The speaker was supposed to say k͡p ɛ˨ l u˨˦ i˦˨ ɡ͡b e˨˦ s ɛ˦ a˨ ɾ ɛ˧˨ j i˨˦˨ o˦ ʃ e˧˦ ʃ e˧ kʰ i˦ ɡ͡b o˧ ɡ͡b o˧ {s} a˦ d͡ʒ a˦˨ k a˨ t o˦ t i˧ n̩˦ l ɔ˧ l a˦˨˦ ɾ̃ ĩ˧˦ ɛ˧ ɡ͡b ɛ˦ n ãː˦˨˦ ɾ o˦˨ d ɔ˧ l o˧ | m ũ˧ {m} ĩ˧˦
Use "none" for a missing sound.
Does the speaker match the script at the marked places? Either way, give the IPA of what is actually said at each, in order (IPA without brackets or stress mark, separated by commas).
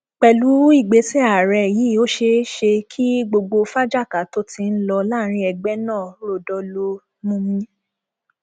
f, m